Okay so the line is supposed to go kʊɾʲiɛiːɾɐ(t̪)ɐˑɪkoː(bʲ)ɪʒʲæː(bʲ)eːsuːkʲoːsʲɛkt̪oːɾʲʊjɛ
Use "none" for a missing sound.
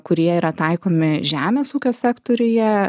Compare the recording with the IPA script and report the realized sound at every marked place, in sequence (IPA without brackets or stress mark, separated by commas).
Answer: t̪, mʲ, mʲ